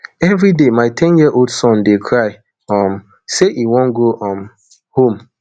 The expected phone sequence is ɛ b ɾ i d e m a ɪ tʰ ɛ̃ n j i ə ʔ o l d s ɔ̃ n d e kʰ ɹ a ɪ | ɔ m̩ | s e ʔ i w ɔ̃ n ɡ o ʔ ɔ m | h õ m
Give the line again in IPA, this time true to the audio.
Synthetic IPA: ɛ v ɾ i d e m a ɪ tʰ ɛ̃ n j i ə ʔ o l d s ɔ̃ n d e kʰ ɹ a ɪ | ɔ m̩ | s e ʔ i w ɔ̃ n ɡ o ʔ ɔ m | h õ m